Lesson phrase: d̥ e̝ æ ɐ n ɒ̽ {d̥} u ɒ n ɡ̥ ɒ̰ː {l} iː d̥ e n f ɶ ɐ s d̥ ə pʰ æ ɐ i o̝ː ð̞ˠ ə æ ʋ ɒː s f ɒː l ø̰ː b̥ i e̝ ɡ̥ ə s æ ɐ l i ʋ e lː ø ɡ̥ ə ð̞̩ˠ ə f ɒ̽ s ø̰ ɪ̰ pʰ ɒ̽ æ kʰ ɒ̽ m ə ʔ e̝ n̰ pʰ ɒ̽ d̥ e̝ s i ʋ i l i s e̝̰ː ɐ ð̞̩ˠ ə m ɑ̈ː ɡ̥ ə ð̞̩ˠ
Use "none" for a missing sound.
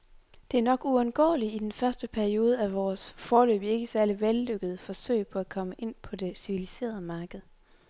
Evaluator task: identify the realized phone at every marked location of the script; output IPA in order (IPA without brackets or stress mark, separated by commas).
ɡ̥, l